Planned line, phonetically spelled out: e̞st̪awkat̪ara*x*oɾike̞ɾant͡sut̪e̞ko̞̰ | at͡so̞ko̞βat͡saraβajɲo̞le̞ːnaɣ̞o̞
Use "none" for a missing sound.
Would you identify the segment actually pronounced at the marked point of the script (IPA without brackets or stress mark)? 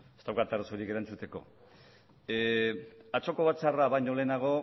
s